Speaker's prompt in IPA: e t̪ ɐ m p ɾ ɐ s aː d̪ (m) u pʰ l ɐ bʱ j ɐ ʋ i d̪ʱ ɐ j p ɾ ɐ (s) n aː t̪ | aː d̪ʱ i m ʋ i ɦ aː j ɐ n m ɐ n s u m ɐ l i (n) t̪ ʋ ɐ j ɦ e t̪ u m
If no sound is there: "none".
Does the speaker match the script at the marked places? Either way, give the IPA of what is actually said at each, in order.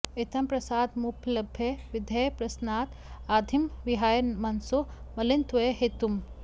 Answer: m, s, n

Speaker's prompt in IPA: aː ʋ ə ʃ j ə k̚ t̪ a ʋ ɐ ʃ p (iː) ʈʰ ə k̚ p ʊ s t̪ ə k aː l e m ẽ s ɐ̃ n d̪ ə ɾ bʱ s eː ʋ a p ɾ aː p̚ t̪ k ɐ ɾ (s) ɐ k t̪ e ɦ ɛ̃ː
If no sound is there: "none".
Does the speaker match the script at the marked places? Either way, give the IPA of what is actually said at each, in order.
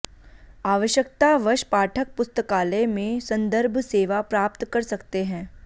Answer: aː, s

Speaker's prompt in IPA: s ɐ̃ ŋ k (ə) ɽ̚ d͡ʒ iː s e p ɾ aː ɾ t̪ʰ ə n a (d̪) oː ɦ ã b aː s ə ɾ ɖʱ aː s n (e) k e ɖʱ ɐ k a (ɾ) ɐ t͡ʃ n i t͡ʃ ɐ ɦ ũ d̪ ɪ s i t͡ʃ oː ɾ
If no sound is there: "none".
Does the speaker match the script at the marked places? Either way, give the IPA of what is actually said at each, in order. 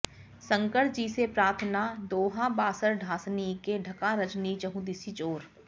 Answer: ə, d̪, i, ɾ

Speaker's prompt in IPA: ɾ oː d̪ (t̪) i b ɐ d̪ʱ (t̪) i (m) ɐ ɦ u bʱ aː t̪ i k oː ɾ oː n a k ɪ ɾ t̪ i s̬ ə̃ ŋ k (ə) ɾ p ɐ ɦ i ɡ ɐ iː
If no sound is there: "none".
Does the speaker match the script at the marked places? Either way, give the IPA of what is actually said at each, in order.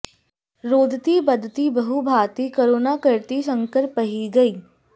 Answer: t̪, t̪, b, ə

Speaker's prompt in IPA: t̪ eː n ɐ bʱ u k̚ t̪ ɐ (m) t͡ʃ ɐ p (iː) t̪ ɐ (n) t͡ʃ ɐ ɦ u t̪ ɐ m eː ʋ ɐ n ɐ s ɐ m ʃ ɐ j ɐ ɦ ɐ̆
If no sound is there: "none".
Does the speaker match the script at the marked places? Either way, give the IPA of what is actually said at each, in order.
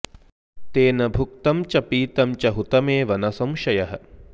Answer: m, iː, m

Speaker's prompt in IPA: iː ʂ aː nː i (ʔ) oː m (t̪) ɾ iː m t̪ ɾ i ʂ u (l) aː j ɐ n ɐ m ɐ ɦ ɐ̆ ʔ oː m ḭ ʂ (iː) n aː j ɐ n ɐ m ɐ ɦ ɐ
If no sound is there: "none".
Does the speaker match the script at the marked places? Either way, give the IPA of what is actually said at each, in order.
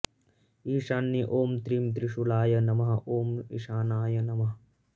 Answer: ʔ, t̪, l, aː

